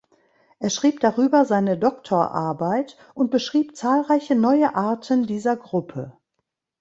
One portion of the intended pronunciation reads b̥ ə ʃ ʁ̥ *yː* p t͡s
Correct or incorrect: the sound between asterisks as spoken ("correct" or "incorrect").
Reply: incorrect